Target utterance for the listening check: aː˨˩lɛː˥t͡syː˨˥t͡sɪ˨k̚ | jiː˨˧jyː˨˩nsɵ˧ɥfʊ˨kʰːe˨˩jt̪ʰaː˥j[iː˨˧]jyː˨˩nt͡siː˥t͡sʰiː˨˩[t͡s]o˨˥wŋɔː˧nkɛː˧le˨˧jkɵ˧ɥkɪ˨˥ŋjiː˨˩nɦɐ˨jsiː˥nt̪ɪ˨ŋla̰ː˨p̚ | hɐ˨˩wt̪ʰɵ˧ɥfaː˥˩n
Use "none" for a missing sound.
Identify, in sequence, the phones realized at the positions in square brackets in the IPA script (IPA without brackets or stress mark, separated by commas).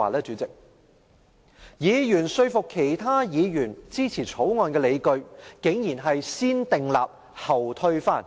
iː˨˧, t͡sʰ